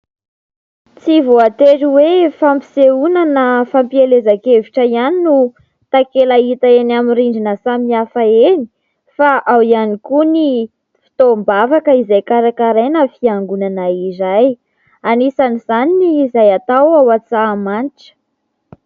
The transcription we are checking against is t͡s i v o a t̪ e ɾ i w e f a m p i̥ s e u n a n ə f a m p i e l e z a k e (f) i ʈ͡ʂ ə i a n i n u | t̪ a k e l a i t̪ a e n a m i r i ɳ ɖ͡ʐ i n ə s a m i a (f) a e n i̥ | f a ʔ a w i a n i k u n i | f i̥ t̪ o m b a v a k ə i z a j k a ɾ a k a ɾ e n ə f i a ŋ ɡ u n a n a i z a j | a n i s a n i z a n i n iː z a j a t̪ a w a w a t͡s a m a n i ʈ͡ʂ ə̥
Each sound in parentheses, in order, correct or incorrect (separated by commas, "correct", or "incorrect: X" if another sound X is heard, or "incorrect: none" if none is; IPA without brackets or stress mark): incorrect: v, correct